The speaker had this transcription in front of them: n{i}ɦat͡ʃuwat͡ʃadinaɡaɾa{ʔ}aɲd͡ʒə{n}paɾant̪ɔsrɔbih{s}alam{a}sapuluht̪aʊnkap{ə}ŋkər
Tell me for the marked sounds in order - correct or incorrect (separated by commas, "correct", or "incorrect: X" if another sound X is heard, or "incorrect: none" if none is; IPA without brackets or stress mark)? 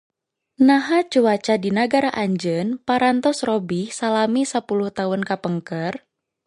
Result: incorrect: a, correct, correct, correct, incorrect: i, correct